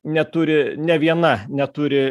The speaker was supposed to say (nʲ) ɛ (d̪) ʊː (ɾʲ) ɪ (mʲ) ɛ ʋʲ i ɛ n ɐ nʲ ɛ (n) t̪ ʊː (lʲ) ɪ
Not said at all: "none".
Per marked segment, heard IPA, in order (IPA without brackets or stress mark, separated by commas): nʲ, t̪, ɾʲ, nʲ, none, ɾʲ